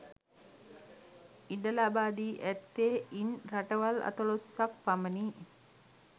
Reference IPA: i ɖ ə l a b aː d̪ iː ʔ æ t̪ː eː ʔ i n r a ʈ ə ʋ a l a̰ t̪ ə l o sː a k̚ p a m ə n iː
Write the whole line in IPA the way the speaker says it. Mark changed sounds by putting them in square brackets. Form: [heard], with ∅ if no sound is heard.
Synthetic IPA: i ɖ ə l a b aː d̪ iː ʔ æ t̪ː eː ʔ i n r a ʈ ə ʋ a l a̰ t̪ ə l o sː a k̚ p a m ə n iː